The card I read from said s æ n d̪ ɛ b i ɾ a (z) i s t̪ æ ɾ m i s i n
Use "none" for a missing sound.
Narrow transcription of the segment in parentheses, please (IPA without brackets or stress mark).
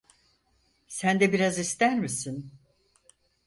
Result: z